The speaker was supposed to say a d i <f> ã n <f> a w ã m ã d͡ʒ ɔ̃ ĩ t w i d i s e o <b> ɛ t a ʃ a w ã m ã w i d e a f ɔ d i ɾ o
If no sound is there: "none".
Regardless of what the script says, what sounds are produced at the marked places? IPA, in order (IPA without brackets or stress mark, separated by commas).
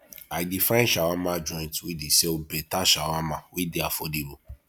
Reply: f, ʃ, b